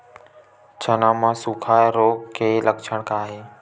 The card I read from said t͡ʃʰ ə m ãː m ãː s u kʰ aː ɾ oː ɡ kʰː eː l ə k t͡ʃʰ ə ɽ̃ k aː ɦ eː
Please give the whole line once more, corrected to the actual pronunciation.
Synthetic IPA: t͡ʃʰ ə n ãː m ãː s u kʰ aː ɾ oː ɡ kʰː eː l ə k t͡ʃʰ ə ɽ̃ k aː ɦ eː